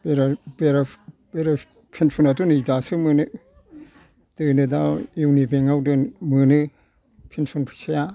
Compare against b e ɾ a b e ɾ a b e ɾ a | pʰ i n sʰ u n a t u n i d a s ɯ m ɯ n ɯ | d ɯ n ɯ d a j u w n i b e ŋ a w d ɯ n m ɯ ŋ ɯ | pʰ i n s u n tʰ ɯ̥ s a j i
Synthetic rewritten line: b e ɾ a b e ɾ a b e ɾ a | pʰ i n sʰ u n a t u n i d a s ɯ m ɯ n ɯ | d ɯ n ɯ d a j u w n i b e ŋ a w d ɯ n m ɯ n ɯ | pʰ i n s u n pʰ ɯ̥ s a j a